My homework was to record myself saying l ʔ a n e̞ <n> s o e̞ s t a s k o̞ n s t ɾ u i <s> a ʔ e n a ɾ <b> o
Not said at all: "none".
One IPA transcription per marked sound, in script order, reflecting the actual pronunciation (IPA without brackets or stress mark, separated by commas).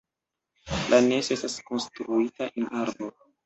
none, t, b